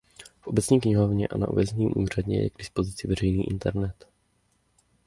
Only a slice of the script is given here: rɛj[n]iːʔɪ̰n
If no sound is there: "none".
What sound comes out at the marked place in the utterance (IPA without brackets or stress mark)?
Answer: n